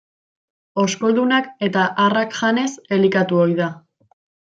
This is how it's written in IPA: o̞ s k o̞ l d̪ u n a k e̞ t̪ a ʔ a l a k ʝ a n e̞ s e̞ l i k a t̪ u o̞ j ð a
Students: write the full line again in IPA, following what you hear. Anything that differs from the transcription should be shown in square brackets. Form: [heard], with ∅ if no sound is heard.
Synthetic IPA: o̞ s k o̞ l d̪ u n a k e̞ t̪ a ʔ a [r] a k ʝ a n e̞ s e̞ l i k a t̪ u o̞ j ð a